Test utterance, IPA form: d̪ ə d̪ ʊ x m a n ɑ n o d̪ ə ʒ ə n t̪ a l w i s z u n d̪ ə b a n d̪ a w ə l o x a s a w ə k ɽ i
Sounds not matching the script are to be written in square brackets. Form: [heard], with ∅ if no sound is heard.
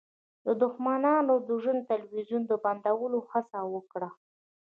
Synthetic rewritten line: d̪ ə d̪ ʊ x m a n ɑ n o d̪ ə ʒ ə n t̪ a l w i [∅] z u n d̪ ə b a n d̪ a w ə l o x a s a w ə k ɽ [a]